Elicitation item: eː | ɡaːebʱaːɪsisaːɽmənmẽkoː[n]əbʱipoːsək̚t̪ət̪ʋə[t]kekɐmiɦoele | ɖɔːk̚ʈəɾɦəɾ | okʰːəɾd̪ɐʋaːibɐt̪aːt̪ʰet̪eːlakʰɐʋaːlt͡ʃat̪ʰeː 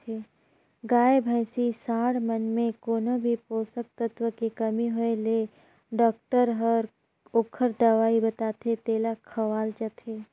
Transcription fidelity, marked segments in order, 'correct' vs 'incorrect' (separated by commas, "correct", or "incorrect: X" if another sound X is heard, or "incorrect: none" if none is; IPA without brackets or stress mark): correct, correct